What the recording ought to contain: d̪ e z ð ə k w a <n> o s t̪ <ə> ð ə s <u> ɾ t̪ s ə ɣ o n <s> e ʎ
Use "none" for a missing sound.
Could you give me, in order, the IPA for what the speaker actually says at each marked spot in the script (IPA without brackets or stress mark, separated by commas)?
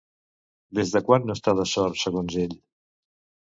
nː, a, ɔ, z